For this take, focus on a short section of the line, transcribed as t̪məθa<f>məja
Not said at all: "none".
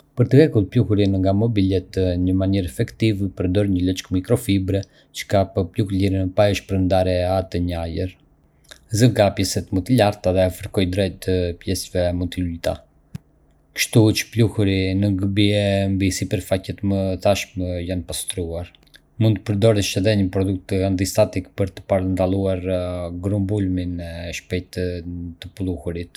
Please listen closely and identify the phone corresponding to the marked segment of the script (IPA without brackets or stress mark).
ʃ